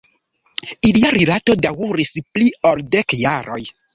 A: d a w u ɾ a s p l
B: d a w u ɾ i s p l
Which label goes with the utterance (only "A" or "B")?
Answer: B